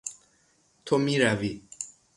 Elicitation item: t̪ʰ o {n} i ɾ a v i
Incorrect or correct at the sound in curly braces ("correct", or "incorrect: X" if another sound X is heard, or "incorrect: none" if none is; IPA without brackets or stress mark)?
incorrect: m